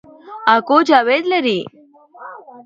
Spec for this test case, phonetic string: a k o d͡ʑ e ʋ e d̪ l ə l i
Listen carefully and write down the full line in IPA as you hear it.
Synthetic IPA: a k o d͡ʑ a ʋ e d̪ l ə ɾ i